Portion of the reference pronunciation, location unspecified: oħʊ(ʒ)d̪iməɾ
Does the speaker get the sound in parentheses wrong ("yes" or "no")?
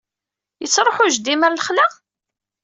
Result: no